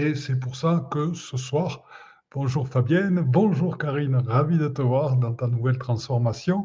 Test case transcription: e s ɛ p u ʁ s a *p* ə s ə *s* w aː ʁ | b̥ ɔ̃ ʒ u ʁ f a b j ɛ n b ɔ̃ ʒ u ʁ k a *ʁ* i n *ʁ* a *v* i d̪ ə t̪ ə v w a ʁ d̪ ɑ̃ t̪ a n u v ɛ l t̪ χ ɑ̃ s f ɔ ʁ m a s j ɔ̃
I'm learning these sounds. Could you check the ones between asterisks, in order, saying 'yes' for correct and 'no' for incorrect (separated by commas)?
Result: no, yes, yes, yes, yes